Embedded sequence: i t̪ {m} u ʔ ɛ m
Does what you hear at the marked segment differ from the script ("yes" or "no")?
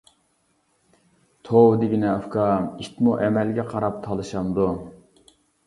no